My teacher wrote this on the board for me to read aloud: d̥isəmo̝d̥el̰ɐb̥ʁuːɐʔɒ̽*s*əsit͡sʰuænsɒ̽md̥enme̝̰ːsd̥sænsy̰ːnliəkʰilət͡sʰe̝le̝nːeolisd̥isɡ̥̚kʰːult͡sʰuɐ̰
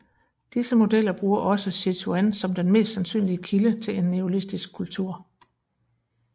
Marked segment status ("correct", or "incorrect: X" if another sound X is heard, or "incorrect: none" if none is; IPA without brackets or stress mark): correct